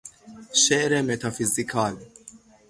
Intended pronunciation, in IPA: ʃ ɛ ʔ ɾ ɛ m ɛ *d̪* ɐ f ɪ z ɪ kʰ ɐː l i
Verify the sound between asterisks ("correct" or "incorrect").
incorrect